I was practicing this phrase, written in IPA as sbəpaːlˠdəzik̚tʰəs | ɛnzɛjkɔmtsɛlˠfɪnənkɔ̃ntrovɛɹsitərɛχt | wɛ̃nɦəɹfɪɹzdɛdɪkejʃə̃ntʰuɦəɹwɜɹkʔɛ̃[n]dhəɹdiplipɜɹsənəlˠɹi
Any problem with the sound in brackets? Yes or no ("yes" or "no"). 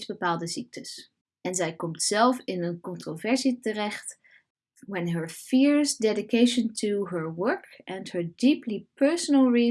no